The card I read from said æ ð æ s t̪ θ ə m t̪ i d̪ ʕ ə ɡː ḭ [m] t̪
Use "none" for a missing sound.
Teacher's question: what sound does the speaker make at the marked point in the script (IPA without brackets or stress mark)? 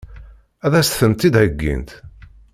n